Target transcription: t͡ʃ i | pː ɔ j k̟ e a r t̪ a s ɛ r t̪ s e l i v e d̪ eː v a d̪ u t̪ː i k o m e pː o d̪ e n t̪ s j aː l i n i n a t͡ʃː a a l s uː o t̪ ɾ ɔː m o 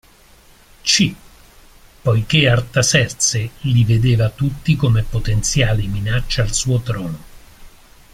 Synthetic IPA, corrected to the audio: t͡ʃ i | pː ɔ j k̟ e a r t̪ a s ɛ r t̪ s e l i v e d̪ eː v a t̪ u t̪ː i k o m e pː o t̪ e n t̪ s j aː l i m i n a t͡ʃː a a l s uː o t̪ ɾ ɔː n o